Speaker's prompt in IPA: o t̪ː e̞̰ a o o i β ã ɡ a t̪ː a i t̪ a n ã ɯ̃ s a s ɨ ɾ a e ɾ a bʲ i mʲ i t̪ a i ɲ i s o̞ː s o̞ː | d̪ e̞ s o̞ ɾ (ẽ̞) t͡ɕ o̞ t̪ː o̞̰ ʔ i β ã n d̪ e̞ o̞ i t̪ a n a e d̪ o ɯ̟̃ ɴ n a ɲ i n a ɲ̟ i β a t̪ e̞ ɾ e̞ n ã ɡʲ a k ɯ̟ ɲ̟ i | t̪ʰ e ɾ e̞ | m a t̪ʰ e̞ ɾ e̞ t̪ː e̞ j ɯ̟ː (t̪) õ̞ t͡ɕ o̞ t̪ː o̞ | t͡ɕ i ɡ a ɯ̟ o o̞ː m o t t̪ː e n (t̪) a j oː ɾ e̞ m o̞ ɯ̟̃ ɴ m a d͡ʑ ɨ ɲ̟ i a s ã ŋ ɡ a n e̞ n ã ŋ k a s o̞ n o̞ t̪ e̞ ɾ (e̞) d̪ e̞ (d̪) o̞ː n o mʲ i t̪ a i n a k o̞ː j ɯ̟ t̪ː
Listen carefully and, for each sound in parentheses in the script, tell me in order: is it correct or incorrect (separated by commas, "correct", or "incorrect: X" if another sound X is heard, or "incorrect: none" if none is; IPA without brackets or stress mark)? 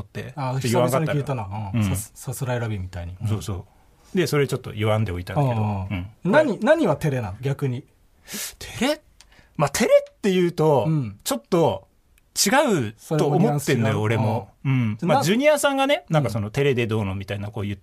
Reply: incorrect: e̞, correct, incorrect: d̪, correct, correct